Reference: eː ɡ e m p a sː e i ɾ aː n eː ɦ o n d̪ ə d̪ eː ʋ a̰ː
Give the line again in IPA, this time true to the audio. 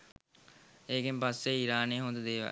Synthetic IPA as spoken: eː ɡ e m p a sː e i ɾ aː n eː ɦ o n d̪ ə d̪ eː ʋ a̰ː